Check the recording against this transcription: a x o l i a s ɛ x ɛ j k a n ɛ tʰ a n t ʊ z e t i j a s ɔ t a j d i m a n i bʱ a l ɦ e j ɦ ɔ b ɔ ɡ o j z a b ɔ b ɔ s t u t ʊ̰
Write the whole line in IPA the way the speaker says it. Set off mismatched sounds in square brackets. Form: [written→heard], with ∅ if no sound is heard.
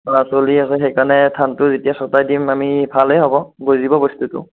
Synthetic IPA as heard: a [x→s] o l i a s ɛ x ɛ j k a n ɛ tʰ a n t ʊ z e t i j a s ɔ t a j d i m a [n→m] i bʱ a l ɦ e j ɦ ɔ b ɔ ɡ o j z [a→i] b ɔ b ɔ s t u t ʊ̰